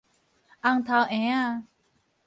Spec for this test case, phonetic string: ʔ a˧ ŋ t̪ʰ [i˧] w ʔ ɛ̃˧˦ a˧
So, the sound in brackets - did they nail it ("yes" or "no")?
no